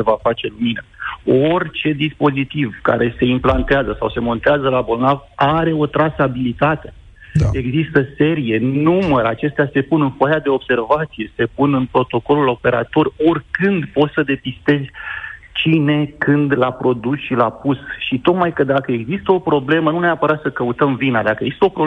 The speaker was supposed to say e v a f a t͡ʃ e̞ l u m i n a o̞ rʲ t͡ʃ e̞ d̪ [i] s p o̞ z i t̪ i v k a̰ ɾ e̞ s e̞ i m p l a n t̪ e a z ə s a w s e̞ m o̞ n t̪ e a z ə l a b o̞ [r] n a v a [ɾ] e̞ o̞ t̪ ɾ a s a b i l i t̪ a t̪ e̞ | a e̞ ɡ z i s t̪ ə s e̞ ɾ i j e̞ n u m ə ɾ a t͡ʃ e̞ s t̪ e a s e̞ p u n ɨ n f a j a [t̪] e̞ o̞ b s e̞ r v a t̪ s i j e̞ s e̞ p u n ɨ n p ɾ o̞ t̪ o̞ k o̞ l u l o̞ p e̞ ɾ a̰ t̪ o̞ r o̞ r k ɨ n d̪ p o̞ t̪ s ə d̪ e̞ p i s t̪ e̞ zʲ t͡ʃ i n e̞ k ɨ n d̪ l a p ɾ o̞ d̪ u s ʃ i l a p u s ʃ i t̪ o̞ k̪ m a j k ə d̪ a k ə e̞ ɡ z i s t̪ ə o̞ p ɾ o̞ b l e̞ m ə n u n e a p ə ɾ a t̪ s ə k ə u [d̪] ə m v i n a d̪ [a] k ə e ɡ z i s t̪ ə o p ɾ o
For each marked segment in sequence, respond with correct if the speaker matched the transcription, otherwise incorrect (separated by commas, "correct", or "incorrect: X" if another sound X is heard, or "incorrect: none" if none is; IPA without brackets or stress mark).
correct, incorrect: l, correct, incorrect: d̪, incorrect: t̪, correct